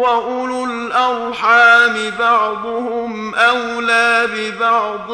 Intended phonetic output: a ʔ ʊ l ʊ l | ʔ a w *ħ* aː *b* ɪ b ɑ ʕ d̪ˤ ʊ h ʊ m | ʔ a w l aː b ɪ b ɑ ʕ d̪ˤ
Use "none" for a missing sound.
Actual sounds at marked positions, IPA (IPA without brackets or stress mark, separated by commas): ħ, m